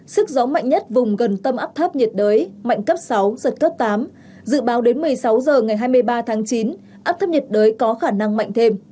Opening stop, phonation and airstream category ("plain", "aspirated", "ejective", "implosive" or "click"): plain